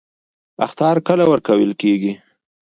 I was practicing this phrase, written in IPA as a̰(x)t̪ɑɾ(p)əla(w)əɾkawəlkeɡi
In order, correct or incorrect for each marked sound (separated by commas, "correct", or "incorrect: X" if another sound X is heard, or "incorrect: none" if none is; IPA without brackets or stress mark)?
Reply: correct, incorrect: k, correct